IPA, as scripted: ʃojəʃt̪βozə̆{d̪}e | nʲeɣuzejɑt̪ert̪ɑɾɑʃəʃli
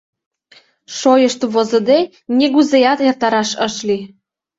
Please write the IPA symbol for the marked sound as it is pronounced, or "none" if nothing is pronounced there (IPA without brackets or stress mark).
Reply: d̪